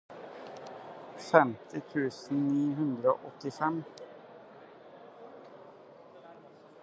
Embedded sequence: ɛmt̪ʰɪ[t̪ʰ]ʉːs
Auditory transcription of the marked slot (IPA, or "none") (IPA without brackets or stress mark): t̪ʰ